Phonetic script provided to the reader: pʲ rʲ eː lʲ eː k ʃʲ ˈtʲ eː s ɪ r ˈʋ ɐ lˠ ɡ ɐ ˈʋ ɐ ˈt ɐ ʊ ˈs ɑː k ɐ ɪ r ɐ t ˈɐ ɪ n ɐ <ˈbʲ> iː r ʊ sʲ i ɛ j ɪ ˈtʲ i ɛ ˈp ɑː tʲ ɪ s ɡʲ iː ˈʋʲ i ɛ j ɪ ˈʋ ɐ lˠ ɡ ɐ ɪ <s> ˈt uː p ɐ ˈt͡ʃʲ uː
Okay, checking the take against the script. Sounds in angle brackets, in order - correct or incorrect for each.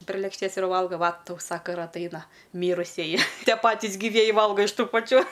incorrect, incorrect

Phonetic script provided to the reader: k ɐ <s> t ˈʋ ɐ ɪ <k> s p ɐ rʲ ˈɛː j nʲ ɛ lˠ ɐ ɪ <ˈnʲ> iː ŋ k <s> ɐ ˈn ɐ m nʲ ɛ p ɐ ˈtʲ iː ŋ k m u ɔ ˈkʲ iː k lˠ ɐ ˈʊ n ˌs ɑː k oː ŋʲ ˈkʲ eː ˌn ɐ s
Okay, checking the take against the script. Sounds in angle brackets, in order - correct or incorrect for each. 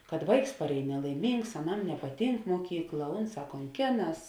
incorrect, correct, incorrect, correct

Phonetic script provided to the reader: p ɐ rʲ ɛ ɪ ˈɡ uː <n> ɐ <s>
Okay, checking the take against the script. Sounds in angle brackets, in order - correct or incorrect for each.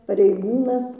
correct, correct

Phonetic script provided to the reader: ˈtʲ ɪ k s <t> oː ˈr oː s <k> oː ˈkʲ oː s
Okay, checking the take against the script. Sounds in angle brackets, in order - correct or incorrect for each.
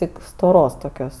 correct, incorrect

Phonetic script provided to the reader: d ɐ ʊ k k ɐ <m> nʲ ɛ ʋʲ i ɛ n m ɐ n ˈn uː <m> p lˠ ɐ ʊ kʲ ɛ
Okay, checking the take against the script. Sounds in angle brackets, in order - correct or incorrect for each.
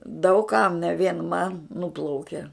correct, incorrect

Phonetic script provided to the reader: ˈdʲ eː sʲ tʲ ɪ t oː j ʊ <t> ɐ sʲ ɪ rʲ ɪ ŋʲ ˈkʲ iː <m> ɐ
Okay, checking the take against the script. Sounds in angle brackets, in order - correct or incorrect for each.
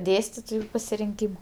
incorrect, correct

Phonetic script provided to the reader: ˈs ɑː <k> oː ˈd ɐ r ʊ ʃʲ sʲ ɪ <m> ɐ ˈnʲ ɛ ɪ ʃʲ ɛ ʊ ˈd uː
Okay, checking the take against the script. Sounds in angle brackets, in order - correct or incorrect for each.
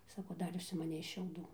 correct, correct

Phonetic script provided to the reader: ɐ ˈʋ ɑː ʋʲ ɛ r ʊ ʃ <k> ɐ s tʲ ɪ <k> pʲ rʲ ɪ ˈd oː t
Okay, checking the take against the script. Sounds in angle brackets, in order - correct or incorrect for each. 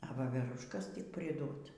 correct, correct

